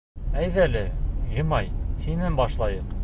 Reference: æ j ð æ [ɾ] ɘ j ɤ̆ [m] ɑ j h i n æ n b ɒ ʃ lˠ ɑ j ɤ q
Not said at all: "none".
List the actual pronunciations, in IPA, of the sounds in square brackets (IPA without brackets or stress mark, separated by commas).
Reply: l, m